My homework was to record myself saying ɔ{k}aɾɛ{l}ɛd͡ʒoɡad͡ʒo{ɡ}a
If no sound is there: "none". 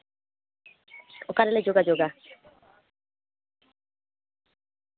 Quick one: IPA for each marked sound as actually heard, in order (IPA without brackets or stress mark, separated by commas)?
k, l, ɡ